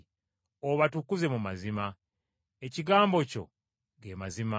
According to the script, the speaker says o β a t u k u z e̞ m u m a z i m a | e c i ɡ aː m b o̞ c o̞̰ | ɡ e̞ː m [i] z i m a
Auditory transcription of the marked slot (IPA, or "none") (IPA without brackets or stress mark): a